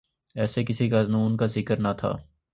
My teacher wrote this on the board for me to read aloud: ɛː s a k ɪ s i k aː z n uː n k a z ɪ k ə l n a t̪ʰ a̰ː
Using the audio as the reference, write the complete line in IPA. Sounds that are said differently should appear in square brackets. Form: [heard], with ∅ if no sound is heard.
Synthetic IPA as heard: ɛː s [e] k ɪ s i k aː z n uː n k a z ɪ k ə [ɾ] n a t̪ʰ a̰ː